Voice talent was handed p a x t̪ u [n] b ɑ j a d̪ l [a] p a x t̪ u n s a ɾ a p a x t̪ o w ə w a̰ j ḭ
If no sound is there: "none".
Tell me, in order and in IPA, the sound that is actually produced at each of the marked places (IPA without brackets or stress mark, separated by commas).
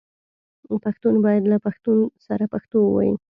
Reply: n, a